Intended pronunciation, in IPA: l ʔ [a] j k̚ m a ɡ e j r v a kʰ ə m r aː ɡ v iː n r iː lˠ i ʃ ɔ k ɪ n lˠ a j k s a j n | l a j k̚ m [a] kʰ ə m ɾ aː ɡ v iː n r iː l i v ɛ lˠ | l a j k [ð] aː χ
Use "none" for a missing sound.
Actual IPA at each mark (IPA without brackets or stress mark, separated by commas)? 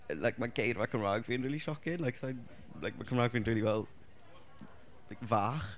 a, a, v